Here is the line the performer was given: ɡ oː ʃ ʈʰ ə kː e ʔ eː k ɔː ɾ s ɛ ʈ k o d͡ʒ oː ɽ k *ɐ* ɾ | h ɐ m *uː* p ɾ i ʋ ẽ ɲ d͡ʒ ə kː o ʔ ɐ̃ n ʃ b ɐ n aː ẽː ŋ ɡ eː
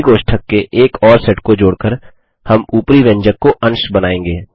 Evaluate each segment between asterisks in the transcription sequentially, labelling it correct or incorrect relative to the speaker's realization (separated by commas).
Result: incorrect, correct